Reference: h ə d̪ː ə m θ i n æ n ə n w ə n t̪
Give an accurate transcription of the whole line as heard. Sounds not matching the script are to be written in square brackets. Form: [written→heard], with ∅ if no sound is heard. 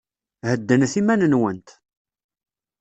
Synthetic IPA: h ə d̪ː ə [m→n] θ i [n→m] æ n ə n w ə n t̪

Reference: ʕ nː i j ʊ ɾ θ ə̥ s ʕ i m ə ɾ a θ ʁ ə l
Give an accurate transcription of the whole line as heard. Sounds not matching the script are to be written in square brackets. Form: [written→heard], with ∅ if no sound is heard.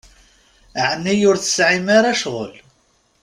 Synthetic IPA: ʕ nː i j ʊ ɾ θ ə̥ s ʕ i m [ə→a] ɾ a [θ→ʃ] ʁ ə l

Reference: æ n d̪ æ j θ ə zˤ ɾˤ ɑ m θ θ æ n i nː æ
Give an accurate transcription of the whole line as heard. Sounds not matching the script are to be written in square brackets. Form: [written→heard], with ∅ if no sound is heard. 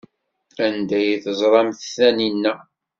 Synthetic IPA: æ n d̪ æ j θ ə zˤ ɾˤ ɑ m θ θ æ n i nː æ

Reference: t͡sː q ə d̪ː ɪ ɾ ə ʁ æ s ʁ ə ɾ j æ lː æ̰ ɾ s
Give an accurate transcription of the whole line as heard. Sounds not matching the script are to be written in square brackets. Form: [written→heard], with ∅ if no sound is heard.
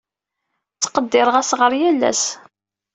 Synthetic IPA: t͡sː q ə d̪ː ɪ ɾ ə ʁ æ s ʁ ə ɾ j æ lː æ̰ [ɾ→∅] s

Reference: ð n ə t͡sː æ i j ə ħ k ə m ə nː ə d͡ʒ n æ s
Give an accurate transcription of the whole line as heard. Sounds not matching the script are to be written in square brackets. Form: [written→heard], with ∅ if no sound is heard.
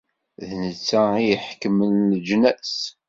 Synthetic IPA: ð n ə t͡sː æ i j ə ħ k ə m ə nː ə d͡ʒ n æ s

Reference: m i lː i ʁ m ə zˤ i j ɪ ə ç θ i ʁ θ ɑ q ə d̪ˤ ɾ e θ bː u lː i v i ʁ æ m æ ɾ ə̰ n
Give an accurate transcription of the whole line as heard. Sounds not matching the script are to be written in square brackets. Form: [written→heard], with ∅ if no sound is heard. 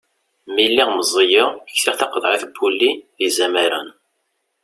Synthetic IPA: m i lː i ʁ m ə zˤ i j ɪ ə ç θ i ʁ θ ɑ q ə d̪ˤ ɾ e θ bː u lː i [v→ð] i [ʁ→z] æ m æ ɾ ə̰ n

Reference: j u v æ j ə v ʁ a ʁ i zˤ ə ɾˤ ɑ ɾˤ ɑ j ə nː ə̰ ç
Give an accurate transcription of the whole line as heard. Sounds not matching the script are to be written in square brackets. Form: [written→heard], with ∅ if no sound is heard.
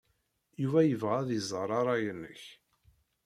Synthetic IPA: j u v æ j ə v ʁ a [ʁ→ð] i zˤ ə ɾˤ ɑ ɾˤ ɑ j ə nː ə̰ ç

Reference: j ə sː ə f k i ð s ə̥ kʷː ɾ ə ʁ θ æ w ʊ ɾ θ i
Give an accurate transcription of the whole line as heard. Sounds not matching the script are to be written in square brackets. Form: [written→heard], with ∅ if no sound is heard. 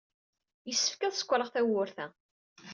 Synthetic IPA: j ə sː ə f k [i→æ] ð s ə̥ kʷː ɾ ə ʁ θ æ w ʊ ɾ θ [i→æ]

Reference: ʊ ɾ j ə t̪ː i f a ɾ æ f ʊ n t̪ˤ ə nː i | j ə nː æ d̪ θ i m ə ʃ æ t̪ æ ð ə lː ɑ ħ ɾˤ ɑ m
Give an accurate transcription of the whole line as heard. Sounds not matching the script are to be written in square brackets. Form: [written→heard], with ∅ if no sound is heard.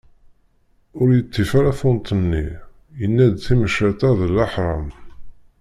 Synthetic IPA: ʊ ɾ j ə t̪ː i f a ɾ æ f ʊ n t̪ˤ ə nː i | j ə nː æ d̪ θ i m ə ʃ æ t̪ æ ð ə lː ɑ ħ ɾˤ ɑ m

